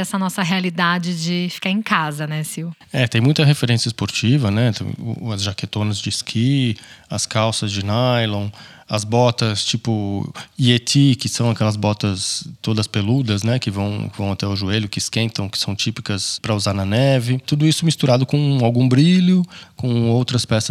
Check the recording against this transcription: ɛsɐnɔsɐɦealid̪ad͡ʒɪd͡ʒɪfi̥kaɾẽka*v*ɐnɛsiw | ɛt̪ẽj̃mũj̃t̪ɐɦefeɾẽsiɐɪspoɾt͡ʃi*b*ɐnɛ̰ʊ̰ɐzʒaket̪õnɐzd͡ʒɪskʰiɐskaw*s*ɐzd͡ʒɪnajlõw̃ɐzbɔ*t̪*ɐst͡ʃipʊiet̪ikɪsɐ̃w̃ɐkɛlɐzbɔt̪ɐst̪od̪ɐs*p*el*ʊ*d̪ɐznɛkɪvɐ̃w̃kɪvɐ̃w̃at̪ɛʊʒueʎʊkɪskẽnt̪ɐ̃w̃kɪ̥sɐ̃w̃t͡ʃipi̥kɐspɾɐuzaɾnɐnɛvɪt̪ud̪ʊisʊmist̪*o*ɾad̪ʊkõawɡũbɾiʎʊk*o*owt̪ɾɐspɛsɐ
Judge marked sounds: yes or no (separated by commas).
no, no, yes, yes, yes, no, no, no